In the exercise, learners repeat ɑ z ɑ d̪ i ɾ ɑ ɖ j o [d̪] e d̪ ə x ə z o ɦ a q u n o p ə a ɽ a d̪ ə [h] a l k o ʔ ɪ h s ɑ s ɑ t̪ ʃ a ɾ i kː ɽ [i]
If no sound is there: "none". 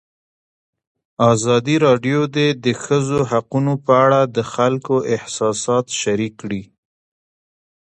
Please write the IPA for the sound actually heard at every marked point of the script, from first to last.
d̪, x, i

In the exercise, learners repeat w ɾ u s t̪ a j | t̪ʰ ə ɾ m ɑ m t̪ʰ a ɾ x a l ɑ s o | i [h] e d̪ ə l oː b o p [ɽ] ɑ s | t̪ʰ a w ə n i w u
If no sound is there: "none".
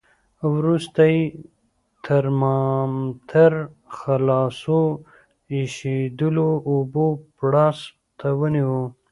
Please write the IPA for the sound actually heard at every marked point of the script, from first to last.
ʃ, ɽ

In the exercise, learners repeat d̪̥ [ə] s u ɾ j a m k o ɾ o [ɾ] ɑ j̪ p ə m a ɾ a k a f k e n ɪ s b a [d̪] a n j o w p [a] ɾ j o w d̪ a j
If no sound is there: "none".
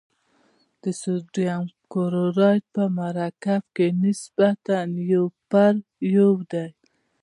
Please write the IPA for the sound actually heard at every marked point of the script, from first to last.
ə, ɾ, t̪, a

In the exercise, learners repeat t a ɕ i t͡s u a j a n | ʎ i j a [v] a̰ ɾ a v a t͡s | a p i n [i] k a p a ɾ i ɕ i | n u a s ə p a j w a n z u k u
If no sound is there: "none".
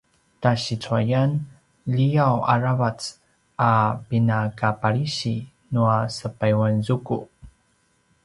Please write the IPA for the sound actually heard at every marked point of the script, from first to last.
w, a

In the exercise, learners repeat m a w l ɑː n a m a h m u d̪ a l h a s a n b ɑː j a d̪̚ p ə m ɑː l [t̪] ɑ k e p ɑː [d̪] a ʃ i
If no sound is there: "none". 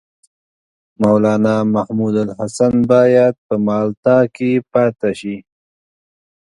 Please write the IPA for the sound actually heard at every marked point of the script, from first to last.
t̪, t̪

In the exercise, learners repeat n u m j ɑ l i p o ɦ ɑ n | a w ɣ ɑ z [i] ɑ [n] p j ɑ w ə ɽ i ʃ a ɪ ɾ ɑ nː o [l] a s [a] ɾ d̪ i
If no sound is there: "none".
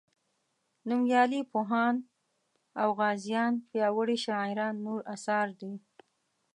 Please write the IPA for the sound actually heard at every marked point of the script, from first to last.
j, n, ɾ, ɑ

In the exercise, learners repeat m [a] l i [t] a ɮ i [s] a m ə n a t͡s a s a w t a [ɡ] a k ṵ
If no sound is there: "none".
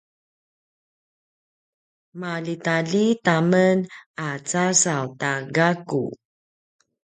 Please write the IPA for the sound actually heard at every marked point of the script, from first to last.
a, t, t, ɡ

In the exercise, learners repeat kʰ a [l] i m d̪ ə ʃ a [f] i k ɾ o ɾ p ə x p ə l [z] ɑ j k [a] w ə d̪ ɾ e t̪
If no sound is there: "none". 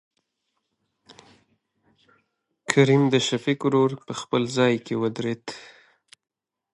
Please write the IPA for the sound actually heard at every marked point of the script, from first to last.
ɾ, f, z, e

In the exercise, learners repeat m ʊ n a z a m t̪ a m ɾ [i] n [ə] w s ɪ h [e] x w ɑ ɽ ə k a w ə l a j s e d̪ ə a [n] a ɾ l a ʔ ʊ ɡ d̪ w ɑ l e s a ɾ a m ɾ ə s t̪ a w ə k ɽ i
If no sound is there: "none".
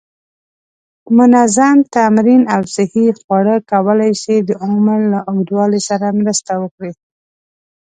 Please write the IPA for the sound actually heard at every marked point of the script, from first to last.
i, a, i, m

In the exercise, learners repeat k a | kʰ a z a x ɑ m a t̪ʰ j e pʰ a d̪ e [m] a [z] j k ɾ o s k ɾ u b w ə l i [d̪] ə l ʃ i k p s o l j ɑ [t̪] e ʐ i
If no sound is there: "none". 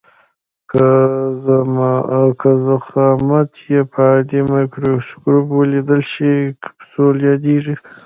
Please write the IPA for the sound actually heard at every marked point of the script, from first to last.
m, none, d̪, d̪

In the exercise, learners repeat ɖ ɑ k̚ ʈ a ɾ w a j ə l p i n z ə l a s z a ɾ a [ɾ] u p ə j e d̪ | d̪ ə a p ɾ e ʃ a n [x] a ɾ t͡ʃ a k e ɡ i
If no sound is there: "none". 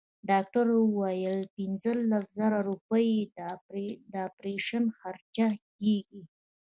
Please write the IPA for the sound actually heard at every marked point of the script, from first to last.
ɾ, x

